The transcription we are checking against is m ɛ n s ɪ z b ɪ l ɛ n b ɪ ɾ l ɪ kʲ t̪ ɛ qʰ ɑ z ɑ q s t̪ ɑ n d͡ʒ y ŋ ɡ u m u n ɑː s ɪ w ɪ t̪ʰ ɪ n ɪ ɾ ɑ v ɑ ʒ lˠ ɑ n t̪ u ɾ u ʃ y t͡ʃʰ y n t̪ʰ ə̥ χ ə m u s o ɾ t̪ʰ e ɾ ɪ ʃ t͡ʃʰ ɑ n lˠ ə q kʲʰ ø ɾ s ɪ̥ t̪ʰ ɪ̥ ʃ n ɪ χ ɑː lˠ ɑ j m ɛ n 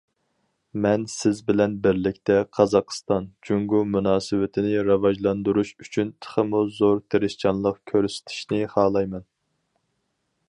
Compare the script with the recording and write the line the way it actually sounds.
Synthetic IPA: m ɛ n s ɪ z b ɪ l ɛ n b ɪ ɾ l ɪ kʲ t̪ ɛ qʰ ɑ z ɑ q s t̪ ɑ n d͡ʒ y ŋ ɡ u m u n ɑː s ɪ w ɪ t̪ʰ ɪ n ɪ ɾ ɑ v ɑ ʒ lˠ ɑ n d̪ u ɾ u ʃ y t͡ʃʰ y n t̪ʰ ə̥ χ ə m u z o ɾ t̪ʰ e ɾ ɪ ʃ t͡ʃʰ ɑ n lˠ ə q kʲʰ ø ɾ s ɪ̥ t̪ʰ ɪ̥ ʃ n ɪ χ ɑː lˠ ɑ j m ɛ n